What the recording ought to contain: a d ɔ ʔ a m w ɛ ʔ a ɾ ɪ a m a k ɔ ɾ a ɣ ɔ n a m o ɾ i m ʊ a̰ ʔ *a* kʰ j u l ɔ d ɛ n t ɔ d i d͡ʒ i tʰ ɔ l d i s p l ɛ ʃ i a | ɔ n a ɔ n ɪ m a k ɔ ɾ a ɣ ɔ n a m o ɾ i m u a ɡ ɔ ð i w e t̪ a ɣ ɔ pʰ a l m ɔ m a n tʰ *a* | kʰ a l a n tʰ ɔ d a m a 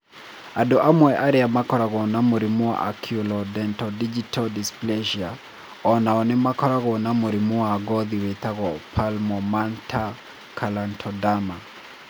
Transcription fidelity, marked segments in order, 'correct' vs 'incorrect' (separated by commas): correct, correct